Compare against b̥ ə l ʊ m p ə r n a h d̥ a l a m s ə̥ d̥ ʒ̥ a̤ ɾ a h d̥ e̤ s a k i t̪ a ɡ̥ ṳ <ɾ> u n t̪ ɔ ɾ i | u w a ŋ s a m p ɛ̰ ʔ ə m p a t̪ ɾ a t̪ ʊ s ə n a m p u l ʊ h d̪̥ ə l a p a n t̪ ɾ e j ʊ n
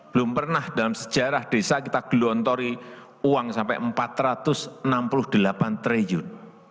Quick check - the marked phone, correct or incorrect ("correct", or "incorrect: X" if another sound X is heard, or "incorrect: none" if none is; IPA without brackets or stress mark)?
incorrect: l